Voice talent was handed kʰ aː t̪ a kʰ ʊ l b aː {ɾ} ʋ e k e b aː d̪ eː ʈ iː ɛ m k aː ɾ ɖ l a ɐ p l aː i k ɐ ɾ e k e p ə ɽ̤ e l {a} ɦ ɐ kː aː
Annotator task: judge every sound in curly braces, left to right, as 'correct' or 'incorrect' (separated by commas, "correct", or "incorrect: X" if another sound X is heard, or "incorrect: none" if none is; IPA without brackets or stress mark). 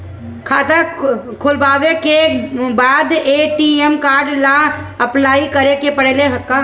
incorrect: none, incorrect: e